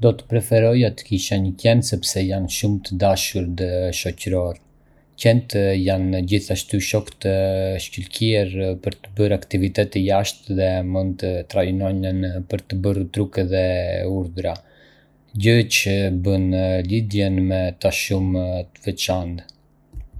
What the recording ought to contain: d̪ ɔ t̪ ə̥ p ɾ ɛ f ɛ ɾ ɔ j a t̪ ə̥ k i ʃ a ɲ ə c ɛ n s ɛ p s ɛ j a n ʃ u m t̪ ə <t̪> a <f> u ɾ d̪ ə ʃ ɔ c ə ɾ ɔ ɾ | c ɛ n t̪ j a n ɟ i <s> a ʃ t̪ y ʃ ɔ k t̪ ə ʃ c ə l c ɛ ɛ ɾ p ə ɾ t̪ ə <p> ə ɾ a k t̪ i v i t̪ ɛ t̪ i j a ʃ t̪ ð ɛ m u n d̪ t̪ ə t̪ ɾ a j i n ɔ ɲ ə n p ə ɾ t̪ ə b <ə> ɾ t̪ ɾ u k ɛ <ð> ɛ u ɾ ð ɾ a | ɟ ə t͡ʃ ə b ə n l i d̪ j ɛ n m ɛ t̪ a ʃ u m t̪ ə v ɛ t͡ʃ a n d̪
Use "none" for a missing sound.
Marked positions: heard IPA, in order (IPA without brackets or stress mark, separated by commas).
d̪, ʃ, θ, b, ə, ð